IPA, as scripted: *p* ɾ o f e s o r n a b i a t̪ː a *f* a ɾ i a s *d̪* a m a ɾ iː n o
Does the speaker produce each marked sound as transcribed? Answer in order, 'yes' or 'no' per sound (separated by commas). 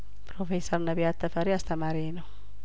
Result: yes, yes, no